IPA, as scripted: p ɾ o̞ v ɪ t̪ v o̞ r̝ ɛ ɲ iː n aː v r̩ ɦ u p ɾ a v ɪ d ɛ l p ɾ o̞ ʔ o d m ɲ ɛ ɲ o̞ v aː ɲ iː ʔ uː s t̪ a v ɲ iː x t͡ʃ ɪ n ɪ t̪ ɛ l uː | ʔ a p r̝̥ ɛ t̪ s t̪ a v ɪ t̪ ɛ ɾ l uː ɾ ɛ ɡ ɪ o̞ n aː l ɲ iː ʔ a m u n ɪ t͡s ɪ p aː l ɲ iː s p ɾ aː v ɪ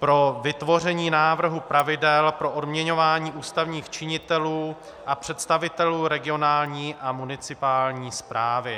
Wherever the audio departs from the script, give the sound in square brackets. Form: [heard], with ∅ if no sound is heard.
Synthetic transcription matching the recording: p ɾ o̞ v ɪ t̪ v o̞ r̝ ɛ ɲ iː n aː v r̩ ɦ u p ɾ a v ɪ d ɛ l p ɾ o̞ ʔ o d m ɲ ɛ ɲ o̞ v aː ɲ iː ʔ uː s t̪ a v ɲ iː x t͡ʃ ɪ [ɲ] ɪ t̪ ɛ l uː | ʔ a p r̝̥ ɛ t̪ s t̪ a v ɪ t̪ ɛ [∅] l uː ɾ ɛ ɡ ɪ o̞ n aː l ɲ iː ʔ a m u n ɪ t͡s ɪ p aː l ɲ iː s p ɾ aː v ɪ